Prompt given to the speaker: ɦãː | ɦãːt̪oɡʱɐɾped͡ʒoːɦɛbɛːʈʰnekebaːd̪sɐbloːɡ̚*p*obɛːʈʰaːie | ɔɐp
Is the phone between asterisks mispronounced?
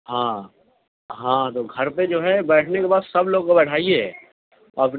yes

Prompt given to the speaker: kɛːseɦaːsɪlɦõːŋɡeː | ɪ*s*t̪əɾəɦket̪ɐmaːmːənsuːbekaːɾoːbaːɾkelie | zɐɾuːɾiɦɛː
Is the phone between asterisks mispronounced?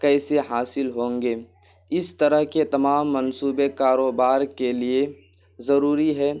no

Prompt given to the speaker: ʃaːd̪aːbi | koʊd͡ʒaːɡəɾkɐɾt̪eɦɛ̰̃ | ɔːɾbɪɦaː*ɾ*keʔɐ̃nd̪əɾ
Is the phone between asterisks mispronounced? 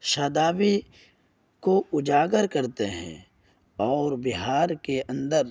no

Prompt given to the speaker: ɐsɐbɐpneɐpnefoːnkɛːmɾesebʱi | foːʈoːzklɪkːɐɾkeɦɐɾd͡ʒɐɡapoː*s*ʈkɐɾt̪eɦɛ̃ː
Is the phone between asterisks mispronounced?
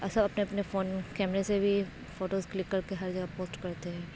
no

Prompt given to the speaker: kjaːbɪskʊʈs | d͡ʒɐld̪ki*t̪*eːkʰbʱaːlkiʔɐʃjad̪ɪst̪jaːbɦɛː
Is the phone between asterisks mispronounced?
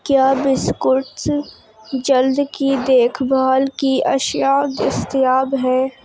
yes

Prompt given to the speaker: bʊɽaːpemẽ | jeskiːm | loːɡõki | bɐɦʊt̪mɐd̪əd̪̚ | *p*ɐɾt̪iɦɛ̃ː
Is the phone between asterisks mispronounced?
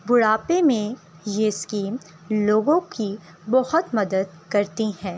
yes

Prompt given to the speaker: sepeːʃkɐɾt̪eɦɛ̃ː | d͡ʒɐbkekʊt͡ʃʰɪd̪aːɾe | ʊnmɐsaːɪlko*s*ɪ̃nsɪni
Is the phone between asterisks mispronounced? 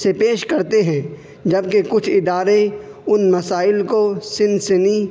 no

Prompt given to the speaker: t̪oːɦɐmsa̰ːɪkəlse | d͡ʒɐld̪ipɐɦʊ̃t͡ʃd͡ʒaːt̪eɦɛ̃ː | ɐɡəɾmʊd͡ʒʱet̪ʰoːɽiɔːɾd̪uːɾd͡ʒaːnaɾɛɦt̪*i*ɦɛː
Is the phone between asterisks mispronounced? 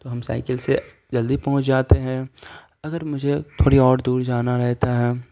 yes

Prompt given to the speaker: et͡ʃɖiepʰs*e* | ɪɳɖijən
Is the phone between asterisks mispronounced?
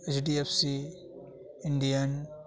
yes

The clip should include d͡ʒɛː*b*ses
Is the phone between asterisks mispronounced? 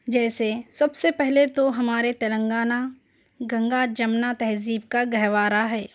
yes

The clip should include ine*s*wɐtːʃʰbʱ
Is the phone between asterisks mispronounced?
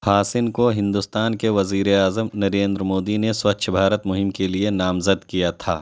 no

